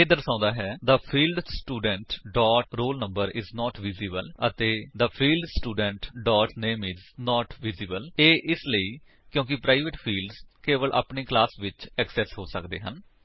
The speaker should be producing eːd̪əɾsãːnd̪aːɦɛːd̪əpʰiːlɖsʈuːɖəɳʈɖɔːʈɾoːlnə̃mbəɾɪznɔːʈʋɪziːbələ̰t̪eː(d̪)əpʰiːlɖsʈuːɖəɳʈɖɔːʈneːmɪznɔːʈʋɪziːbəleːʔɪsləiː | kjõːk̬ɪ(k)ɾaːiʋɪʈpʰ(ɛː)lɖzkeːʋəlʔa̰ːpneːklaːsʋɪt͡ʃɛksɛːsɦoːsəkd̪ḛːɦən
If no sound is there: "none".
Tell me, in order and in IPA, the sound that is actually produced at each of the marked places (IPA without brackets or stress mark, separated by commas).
d̪, p, iː